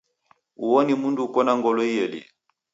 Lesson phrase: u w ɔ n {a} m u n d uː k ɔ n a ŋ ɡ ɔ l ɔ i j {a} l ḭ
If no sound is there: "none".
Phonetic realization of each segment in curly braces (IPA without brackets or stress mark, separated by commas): i, ɛ